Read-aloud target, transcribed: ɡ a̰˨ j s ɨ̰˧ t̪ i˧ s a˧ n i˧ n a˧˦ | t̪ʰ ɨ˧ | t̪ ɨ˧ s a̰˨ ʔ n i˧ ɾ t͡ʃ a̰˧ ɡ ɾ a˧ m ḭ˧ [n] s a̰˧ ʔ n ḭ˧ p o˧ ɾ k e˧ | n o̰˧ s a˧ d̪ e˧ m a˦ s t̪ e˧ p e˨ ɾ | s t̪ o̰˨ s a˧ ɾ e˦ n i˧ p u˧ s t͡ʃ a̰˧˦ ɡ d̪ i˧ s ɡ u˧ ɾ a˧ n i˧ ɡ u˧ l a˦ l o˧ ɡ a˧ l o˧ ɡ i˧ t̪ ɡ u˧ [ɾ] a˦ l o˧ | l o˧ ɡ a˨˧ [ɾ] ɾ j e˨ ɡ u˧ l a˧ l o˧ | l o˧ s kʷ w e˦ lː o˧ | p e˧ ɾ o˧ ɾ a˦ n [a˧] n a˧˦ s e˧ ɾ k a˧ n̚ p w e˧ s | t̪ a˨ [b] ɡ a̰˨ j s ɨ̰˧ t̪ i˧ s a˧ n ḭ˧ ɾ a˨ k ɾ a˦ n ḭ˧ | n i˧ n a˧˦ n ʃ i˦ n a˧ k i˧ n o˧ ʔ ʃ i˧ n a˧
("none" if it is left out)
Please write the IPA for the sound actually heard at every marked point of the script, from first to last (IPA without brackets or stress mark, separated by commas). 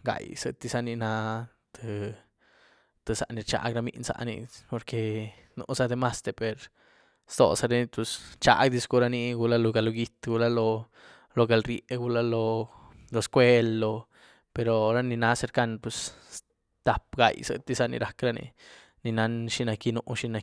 n, l, l, i˧, p